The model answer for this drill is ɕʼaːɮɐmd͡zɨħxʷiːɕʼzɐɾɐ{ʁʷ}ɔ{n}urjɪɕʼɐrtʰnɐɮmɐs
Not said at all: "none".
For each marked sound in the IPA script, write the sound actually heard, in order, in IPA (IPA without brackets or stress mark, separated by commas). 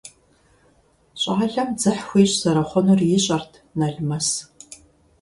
χʷ, n